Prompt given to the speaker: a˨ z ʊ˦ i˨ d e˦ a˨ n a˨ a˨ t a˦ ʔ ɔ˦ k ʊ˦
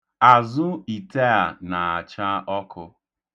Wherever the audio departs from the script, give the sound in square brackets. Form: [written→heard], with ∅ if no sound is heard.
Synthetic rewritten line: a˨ z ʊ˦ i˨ [d→t] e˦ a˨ n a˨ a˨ [t→t͡ʃ] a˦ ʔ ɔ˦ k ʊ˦